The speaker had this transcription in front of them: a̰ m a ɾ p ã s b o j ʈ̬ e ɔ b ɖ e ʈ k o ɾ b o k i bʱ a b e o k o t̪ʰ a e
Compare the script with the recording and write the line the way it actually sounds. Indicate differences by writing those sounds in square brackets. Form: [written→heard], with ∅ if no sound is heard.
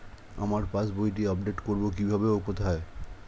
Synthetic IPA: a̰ m a ɾ p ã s b o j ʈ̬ [e→i] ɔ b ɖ e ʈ k o ɾ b o k i bʱ a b e o k o t̪ʰ a e